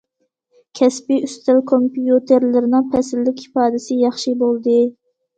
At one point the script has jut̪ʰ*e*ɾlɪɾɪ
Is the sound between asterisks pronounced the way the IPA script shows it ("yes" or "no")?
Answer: yes